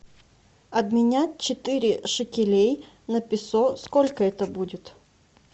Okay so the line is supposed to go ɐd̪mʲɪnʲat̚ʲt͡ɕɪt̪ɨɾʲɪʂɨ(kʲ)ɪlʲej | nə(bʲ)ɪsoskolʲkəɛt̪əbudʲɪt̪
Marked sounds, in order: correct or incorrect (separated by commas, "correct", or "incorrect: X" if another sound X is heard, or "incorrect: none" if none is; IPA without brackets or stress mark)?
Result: correct, incorrect: pʲ